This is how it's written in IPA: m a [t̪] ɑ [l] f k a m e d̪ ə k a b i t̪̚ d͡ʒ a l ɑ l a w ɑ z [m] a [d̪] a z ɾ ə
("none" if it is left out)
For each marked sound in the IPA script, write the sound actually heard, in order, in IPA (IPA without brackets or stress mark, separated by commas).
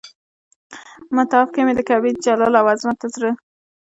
t̪, none, m, t̪